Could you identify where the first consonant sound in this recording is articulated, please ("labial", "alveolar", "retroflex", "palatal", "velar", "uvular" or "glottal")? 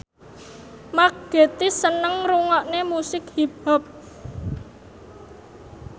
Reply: labial